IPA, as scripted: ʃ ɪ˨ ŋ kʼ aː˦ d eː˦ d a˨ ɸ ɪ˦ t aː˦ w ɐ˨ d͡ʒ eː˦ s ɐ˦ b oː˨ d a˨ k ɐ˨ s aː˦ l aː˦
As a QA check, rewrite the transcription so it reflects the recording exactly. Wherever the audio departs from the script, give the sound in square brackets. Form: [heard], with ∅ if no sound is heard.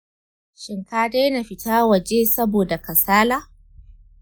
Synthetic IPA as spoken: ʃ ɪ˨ ŋ [k] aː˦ d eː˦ [n] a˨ ɸ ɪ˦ t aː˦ w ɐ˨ d͡ʒ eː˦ s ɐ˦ b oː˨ d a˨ k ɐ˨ s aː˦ l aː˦

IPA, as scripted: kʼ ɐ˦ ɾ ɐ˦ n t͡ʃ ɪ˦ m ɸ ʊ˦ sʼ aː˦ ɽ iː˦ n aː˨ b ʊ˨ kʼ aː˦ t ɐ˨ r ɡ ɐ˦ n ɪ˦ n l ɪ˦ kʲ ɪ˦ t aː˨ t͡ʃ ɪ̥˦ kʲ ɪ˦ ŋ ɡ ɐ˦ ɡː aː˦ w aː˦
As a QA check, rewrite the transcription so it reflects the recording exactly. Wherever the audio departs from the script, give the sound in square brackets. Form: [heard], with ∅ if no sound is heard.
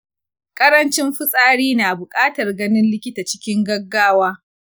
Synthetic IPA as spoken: kʼ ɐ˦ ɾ ɐ˦ n t͡ʃ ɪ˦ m ɸ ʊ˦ sʼ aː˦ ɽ iː˦ n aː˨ b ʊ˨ kʼ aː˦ t ɐ˨ r ɡ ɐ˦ n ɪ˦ n l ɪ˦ kʲ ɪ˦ t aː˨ t͡ʃ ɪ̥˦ kʲ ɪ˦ ŋ ɡ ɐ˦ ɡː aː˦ w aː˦

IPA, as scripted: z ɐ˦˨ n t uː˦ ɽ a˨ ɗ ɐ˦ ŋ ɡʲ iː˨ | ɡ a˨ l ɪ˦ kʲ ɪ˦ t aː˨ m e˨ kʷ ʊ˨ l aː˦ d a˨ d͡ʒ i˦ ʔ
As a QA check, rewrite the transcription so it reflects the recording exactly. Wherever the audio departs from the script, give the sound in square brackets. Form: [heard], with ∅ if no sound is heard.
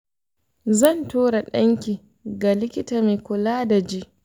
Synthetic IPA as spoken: z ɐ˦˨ n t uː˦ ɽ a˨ ɗ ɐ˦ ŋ [kʲ] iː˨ | ɡ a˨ l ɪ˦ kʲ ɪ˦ t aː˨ m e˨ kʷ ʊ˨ l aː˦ d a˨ d͡ʒ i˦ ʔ

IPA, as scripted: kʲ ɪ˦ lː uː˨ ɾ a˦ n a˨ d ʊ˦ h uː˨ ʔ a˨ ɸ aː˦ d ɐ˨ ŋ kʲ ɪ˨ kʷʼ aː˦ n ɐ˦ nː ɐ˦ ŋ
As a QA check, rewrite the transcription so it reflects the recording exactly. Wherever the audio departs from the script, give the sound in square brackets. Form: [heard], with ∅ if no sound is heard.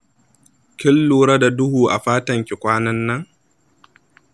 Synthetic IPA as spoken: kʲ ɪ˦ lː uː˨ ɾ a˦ [d] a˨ d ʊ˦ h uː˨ ʔ a˨ ɸ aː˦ [t] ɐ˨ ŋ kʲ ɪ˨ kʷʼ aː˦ n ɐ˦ nː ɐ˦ ŋ

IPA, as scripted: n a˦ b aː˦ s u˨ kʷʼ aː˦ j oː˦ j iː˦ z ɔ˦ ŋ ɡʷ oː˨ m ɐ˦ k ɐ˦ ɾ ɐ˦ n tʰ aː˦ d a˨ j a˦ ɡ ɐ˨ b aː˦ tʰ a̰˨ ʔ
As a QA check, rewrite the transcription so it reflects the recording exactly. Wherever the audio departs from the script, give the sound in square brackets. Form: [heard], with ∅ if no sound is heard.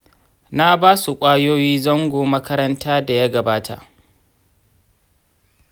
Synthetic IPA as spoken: n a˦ b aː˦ s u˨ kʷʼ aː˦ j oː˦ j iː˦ z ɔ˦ ŋ ɡʷ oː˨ m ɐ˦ k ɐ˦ ɾ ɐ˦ n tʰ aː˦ d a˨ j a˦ ɡ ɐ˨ b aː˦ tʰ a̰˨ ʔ

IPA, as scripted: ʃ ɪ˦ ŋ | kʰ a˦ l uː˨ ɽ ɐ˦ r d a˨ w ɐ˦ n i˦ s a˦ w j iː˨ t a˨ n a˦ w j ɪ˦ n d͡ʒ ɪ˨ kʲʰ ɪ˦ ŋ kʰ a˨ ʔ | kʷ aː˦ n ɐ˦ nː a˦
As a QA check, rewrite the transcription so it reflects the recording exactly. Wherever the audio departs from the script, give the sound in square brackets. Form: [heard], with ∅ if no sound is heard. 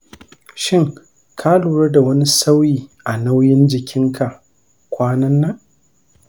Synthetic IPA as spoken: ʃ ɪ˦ ŋ | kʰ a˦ l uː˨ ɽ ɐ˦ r d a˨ w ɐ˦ n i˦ s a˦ w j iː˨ [ʔ] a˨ n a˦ w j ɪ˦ n d͡ʒ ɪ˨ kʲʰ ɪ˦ ŋ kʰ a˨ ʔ | kʷ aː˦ n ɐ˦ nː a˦

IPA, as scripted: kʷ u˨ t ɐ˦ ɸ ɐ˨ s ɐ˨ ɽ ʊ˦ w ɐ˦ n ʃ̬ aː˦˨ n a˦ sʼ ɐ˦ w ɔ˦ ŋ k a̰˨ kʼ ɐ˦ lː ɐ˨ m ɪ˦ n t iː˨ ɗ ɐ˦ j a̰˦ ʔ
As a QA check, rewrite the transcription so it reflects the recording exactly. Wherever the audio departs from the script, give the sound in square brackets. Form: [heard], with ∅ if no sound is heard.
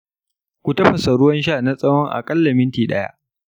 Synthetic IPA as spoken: kʷ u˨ t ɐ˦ ɸ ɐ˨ s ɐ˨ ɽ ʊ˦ w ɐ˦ n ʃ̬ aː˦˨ n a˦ sʼ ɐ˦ w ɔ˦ ŋ [ʔ] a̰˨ kʼ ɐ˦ lː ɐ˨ m ɪ˦ n t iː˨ ɗ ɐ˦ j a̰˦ ʔ

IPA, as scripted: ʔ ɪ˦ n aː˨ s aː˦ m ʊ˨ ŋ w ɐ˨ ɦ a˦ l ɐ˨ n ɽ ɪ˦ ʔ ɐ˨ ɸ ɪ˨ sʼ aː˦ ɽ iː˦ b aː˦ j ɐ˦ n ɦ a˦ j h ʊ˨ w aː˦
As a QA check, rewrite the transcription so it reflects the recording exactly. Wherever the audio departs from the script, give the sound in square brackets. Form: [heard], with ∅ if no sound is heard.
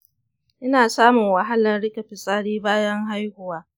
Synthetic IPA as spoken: ʔ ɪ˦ n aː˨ s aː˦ m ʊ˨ ŋ w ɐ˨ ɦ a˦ l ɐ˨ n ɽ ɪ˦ [k] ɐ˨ ɸ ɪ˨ sʼ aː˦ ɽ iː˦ b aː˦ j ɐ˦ [ŋ] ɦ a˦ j h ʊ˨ w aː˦

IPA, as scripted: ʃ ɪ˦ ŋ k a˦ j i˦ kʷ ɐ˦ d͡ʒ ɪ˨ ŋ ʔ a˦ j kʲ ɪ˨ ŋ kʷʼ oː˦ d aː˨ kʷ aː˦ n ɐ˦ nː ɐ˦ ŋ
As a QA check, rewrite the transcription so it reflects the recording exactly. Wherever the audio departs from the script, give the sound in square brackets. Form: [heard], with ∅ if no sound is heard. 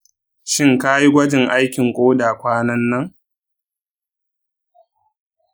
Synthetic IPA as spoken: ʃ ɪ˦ ŋ k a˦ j i˦ [ɡʷ] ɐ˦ d͡ʒ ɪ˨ ŋ ʔ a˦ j kʲ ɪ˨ ŋ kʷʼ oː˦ d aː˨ kʷ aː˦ n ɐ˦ nː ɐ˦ ŋ

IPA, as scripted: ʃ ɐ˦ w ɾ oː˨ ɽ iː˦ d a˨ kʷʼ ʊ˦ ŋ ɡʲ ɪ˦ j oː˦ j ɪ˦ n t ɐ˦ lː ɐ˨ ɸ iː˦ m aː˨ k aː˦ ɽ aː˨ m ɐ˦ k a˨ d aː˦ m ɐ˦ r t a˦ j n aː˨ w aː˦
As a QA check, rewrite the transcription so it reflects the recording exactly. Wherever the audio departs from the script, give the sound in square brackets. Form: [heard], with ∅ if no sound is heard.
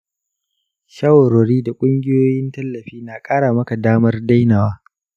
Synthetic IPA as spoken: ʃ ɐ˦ w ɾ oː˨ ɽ iː˦ d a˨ kʷʼ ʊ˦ ŋ ɡʲ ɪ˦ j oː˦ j ɪ˦ n t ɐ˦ lː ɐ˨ ɸ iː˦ [n] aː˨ [kʼ] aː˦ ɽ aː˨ m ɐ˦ k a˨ d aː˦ m ɐ˦ r [d] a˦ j n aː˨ w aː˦

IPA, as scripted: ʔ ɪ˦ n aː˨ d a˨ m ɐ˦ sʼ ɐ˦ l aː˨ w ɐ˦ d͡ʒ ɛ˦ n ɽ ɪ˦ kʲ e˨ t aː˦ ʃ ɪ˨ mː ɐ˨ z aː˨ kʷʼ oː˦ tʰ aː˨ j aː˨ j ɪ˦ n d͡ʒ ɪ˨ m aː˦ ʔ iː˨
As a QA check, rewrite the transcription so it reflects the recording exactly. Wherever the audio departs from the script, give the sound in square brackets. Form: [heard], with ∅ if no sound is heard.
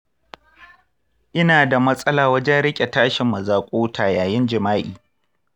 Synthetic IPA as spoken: ʔ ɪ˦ n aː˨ d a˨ m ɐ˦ sʼ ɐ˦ l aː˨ w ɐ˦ d͡ʒ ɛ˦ n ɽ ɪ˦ [kʲʼ] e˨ t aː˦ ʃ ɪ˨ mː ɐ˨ z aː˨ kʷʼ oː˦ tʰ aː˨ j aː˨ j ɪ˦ n d͡ʒ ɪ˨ m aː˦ ʔ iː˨

